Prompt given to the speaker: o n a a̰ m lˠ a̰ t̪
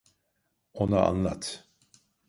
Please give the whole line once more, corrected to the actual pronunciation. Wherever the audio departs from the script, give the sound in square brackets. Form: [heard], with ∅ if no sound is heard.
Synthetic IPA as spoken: o n a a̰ [n] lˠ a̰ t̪